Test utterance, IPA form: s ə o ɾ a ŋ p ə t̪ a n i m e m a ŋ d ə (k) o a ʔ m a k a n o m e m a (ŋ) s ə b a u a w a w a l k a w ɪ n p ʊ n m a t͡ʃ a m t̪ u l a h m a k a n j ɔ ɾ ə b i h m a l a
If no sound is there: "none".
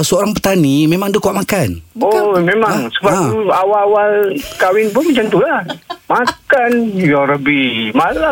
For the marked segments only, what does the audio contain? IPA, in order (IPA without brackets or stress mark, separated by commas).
k, ŋ